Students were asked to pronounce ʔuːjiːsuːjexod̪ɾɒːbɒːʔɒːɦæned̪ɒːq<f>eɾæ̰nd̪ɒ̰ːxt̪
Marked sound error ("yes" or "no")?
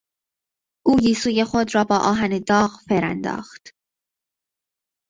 no